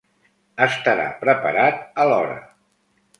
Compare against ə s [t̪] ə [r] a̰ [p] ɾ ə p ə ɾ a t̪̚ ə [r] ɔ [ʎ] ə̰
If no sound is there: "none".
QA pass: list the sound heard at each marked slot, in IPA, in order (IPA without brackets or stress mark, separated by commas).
t̪, ɾ, p, l, ɾ